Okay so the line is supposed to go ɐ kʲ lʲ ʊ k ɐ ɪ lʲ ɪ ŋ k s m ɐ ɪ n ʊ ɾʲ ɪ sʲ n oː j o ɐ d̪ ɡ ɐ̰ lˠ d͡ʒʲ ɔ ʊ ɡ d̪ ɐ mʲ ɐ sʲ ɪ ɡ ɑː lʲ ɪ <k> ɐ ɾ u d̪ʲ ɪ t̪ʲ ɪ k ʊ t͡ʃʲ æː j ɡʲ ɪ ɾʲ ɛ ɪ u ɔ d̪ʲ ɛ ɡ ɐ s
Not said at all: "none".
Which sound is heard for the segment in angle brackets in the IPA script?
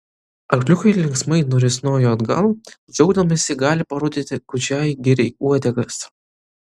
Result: p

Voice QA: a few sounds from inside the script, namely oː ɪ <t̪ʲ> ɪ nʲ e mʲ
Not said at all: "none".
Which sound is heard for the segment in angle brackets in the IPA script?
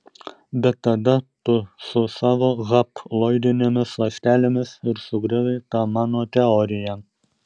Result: d̪ʲ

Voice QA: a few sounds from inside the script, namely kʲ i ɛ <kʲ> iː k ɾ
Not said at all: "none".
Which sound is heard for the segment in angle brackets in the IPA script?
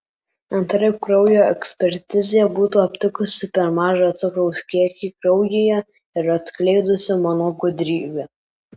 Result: kʲ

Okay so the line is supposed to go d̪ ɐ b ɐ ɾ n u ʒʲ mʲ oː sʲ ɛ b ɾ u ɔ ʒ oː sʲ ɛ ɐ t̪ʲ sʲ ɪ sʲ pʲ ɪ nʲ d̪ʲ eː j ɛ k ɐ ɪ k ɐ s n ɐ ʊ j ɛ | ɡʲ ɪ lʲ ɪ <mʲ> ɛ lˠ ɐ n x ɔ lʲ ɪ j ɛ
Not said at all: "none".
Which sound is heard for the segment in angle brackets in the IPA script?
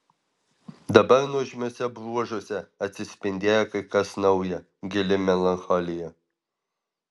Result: mʲ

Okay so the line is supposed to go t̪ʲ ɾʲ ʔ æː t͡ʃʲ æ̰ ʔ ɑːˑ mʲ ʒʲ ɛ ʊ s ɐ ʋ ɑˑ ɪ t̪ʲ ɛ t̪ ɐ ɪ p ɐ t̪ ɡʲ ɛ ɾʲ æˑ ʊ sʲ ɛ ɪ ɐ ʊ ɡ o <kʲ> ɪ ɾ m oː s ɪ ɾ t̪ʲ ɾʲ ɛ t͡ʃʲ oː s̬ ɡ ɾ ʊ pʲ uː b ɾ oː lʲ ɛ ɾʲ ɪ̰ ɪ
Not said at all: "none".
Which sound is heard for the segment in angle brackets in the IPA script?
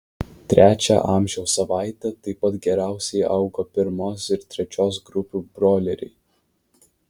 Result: pʲ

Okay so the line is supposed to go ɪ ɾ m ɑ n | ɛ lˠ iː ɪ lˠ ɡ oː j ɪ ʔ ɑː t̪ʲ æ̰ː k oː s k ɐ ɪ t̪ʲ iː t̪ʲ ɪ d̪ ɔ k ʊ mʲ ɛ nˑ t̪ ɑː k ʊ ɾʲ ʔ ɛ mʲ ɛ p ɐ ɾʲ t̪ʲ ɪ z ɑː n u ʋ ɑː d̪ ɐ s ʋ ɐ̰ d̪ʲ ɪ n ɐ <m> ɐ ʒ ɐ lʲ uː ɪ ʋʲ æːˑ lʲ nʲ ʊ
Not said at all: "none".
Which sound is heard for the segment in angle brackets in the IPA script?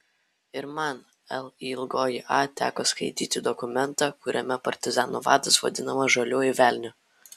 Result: m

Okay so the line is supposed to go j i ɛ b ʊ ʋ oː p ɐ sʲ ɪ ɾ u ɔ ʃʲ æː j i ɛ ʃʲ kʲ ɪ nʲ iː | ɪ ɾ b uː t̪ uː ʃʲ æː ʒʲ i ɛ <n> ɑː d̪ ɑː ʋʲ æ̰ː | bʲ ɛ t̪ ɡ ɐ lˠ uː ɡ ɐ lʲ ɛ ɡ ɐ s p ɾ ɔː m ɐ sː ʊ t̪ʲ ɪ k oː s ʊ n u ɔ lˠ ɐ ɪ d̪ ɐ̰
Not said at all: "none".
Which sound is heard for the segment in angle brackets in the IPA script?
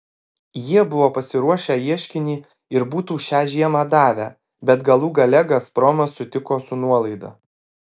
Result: m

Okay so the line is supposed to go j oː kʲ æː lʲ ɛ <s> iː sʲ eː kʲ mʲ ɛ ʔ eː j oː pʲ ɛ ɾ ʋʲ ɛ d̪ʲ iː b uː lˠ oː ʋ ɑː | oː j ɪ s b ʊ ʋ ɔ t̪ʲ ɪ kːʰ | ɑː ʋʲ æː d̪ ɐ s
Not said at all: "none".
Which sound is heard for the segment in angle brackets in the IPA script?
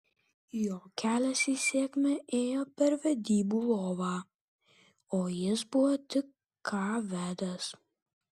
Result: s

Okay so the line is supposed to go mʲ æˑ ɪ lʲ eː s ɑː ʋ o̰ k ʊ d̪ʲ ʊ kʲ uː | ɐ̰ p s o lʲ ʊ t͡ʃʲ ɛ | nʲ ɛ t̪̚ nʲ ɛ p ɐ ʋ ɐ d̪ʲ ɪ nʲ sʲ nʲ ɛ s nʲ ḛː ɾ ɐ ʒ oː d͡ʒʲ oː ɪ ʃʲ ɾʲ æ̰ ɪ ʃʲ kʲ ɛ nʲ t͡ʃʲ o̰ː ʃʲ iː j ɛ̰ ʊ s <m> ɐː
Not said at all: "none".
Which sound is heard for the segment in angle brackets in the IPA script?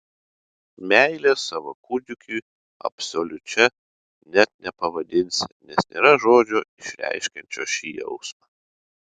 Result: m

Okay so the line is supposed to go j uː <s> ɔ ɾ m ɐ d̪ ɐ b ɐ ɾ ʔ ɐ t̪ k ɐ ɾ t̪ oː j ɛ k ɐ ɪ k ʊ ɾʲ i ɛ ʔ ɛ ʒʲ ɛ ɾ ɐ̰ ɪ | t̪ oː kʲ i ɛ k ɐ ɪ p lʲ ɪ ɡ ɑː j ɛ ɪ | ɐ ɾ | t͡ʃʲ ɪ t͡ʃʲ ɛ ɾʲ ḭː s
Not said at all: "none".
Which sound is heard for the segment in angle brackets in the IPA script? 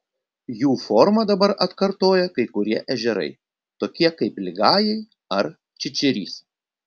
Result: f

